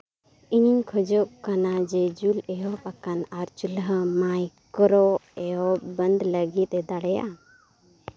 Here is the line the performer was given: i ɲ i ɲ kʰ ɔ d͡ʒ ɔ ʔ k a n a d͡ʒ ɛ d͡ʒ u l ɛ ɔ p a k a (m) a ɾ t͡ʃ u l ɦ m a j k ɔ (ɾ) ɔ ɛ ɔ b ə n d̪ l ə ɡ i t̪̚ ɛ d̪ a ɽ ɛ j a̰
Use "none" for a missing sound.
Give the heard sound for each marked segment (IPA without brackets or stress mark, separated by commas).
n, ɾ